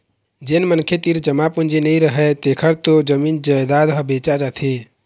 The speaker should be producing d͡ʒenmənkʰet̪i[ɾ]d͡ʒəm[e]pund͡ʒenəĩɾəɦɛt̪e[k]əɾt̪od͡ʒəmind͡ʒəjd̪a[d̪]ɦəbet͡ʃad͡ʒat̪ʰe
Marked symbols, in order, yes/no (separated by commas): yes, no, no, yes